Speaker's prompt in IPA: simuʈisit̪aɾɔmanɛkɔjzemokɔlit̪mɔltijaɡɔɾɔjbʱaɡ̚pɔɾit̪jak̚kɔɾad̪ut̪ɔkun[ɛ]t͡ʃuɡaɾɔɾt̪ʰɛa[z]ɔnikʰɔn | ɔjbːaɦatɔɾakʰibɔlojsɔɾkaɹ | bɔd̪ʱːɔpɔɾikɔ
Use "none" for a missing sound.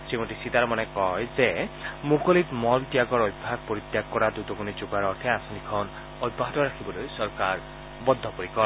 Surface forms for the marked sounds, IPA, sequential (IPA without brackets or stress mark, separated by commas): i, s